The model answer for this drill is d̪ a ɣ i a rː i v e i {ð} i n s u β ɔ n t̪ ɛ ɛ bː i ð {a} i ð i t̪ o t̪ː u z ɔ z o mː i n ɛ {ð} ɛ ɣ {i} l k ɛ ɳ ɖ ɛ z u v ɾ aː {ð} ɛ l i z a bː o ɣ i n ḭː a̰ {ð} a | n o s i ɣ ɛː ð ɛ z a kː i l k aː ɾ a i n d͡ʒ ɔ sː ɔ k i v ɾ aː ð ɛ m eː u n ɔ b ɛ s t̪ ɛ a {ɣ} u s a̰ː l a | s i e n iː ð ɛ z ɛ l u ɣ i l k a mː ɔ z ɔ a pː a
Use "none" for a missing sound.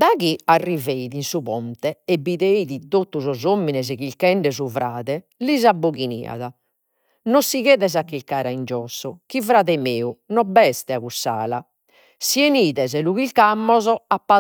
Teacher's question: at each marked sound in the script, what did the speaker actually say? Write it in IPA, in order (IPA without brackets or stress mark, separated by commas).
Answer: ð, e, z, i, ð, ð, ɣ